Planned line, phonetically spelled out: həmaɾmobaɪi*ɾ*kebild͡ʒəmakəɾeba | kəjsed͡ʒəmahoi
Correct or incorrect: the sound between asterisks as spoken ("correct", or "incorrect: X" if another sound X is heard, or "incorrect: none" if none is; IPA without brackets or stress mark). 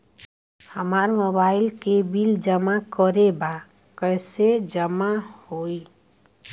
incorrect: l